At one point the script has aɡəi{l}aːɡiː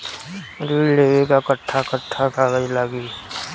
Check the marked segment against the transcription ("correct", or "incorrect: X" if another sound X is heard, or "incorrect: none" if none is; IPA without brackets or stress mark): correct